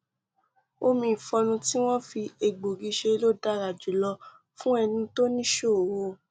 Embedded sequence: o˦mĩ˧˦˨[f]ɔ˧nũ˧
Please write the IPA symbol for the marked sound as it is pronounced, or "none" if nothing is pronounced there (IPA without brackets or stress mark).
f